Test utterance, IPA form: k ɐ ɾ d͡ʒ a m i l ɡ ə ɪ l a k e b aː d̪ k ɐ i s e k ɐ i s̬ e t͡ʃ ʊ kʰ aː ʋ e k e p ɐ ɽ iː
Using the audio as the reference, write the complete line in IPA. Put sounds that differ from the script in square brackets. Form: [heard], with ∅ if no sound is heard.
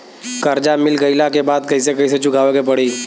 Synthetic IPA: k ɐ ɾ d͡ʒ a m [ɪ] l ɡ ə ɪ l a k e b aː d̪ k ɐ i s e k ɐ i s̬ e t͡ʃ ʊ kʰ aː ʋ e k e p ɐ ɽ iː